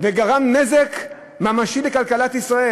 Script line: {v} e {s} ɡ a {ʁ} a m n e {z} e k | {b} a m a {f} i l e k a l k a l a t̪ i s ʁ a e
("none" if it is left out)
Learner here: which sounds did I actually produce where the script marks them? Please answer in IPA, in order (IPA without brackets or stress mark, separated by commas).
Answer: v, none, ʁ, z, m, ʃ